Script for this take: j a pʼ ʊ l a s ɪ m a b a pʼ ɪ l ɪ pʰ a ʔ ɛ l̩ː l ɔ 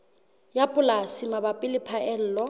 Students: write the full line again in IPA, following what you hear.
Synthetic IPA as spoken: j a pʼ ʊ l a s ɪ m a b a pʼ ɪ l ɪ pʰ a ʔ ɛ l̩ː l ɔ